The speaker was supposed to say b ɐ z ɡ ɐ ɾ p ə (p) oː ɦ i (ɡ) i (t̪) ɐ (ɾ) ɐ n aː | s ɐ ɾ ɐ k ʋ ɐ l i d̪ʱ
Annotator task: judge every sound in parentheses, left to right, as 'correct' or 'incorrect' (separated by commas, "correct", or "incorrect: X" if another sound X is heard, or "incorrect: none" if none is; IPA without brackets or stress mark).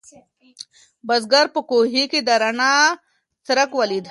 incorrect: k, incorrect: k, incorrect: d̪, correct